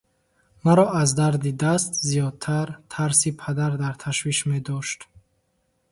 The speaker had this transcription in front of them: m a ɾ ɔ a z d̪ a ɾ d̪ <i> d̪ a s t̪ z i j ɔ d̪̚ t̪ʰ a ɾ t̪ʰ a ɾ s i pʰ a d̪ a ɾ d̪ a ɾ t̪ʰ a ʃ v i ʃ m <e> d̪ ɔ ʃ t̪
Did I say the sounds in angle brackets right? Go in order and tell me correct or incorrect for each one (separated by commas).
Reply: correct, correct